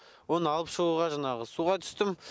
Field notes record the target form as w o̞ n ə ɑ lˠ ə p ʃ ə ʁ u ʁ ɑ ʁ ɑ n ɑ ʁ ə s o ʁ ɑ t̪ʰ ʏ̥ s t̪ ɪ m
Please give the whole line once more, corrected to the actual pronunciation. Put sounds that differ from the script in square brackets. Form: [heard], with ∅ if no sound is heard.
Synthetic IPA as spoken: w o̞ n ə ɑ lˠ ə p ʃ ə ʁ u ʁ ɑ [ʒ] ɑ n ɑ ʁ ə s [u] ʁ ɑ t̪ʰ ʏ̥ s t̪ ɪ m